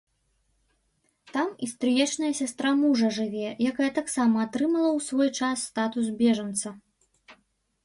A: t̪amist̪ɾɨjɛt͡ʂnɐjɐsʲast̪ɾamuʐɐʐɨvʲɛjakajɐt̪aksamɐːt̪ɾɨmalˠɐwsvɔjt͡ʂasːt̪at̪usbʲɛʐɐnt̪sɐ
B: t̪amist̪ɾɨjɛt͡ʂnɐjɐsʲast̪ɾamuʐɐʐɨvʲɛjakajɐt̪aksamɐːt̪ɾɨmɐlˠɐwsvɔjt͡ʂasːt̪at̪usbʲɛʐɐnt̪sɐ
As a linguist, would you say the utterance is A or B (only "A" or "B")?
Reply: B